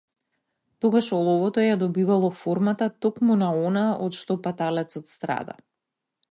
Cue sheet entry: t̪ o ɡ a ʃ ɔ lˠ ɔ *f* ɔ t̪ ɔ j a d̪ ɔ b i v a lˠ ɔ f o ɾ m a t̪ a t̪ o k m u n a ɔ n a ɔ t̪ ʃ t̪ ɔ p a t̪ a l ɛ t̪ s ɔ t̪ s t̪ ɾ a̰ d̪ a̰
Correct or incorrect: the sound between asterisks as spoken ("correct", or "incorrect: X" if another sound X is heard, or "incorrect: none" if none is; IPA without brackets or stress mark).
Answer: incorrect: v